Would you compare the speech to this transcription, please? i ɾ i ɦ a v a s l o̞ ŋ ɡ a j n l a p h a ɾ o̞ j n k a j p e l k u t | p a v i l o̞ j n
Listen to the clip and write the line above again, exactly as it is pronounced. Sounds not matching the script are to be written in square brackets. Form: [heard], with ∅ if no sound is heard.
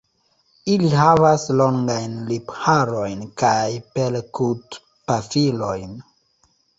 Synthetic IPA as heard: i [l] i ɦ a v a s l o̞ ŋ ɡ a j n l [i] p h a ɾ o̞ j n k a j p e l k u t | p a [f] i l o̞ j n